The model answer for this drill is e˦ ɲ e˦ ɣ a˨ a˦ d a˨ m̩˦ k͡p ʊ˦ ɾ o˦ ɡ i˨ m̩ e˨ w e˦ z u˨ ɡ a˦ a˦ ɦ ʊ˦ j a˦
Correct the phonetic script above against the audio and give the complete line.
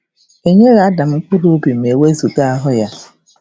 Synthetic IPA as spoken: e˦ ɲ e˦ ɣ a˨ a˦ d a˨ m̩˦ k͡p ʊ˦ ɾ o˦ b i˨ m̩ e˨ w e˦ z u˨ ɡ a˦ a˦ ɦ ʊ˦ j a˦